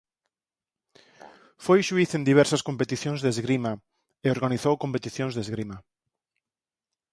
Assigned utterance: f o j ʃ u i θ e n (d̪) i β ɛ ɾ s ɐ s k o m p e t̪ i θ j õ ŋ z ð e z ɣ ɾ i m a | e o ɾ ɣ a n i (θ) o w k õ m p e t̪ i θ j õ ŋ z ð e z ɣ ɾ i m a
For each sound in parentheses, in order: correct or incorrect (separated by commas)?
correct, correct